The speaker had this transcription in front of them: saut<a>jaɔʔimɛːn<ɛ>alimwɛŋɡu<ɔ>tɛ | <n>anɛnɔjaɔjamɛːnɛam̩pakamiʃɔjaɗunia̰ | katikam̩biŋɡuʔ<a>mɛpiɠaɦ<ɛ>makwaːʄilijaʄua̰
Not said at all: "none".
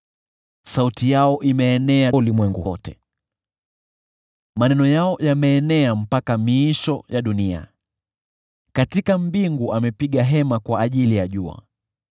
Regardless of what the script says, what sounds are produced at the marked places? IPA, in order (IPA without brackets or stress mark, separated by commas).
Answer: i, ɛ, ɔ, m, a, ɛ